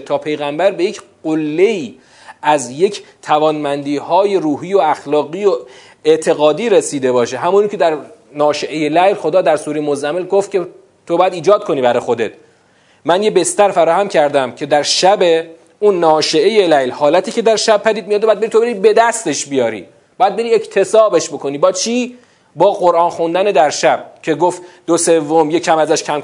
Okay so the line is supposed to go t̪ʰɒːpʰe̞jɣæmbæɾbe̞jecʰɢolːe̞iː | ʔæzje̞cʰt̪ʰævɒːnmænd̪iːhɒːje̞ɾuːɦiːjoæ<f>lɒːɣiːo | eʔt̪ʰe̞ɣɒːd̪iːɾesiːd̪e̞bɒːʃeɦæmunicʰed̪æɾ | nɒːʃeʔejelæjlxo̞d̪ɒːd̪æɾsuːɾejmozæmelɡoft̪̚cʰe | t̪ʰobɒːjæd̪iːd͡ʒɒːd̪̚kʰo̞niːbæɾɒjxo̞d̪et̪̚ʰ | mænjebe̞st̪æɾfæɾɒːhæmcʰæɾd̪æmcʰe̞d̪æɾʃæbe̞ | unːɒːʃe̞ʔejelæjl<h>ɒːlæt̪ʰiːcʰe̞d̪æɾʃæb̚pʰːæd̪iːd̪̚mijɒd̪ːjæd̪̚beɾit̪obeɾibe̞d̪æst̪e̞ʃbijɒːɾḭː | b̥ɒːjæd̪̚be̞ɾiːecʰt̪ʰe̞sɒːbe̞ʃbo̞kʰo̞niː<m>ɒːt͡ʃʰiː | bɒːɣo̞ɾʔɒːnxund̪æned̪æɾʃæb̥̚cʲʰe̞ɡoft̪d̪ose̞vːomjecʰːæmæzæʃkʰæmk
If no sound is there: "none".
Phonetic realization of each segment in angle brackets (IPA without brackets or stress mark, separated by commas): x, h, b